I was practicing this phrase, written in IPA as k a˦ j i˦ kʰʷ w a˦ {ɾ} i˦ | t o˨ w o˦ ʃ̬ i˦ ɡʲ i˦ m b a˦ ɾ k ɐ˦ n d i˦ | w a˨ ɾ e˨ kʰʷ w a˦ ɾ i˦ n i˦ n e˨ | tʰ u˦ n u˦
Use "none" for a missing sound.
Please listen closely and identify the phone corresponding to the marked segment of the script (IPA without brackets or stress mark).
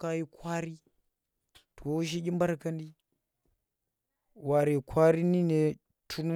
ɾ